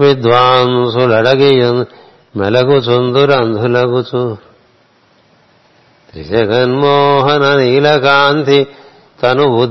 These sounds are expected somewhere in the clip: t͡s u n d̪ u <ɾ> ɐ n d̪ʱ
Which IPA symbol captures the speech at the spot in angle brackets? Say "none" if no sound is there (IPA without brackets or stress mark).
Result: ɾ